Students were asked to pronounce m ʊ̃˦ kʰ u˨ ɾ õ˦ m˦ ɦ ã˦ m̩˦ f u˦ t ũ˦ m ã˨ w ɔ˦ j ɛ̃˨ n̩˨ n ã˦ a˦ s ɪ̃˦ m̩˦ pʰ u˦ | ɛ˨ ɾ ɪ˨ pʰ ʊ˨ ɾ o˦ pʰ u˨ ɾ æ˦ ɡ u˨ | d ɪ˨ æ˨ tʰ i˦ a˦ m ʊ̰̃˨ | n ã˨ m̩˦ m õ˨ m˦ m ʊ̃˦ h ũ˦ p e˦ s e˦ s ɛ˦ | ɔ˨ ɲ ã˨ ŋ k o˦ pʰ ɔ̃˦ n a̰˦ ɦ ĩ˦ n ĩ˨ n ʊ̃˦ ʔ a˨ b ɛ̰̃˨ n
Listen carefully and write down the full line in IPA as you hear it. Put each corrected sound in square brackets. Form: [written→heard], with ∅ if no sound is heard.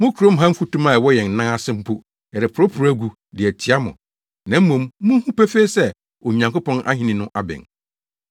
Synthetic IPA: m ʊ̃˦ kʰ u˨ ɾ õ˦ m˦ ɦ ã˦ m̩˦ f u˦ t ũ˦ m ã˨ w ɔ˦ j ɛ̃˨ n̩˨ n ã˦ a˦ s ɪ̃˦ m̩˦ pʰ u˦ | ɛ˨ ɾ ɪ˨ pʰ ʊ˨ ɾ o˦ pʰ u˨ ɾ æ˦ ɡ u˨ | d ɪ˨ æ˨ tʰ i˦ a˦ m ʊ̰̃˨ | n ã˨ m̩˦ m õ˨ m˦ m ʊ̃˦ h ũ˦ p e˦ [s→f] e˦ s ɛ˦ | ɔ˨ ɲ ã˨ ŋ k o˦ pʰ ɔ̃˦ n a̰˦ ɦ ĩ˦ n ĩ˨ n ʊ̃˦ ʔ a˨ b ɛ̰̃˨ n